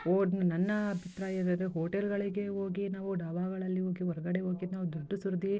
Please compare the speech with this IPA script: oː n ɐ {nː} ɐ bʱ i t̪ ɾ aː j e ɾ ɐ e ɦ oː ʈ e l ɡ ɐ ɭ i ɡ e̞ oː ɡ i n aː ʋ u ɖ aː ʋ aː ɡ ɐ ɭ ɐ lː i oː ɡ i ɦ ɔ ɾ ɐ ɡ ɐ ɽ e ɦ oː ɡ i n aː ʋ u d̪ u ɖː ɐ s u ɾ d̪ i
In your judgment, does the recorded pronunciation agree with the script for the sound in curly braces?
yes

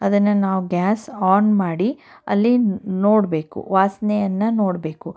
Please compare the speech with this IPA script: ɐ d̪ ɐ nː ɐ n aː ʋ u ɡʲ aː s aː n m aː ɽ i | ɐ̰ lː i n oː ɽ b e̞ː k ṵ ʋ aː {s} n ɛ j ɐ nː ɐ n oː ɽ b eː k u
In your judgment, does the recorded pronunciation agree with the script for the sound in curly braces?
yes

